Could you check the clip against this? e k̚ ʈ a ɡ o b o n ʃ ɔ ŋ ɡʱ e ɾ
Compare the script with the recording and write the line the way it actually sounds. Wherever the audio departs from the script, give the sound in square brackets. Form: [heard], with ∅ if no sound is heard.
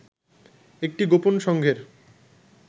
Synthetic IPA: e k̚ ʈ [i] ɡ o [p] o n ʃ ɔ ŋ ɡʱ e ɾ